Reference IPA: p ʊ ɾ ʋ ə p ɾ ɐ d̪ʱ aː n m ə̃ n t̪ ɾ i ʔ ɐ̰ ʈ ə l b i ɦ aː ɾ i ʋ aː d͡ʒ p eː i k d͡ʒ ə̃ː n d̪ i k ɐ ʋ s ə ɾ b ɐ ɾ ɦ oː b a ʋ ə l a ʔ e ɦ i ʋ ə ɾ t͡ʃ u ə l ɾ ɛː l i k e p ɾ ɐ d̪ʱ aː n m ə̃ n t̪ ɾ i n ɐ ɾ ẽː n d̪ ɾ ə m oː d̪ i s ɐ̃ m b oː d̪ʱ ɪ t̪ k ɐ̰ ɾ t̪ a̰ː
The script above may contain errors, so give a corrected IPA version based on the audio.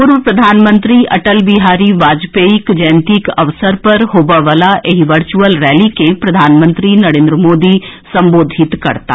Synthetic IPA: p ʊ ɾ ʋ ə p ɾ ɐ d̪ʱ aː n m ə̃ n t̪ ɾ i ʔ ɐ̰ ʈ ə l b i ɦ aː ɾ i ʋ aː d͡ʒ p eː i k d͡ʒ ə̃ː n t̪ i k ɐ ʋ s ə ɾ p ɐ ɾ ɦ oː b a ʋ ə l a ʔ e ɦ i ʋ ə ɾ t͡ʃ u ə l ɾ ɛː l i k e p ɾ ɐ d̪ʱ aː n m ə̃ n t̪ ɾ i n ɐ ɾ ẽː n d̪ ɾ ə m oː d̪ i s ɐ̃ m b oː d̪ʱ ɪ t̪ k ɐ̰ ɾ t̪ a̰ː